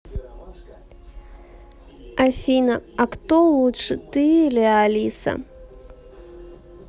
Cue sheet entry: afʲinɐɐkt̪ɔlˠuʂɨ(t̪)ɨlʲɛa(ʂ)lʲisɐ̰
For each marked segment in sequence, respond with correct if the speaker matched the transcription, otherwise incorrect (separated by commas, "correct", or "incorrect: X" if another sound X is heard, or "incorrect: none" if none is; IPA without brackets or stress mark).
correct, incorrect: none